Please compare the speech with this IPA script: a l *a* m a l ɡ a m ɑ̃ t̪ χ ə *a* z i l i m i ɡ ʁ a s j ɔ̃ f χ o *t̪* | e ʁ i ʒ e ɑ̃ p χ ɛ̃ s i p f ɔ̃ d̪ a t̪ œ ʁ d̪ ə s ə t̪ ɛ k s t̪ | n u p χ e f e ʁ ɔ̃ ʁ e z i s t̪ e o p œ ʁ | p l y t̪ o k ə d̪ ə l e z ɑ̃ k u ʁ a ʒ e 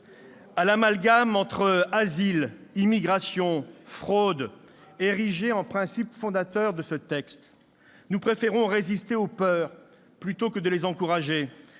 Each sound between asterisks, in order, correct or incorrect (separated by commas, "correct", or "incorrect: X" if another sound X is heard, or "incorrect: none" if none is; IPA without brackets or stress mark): correct, correct, incorrect: d̪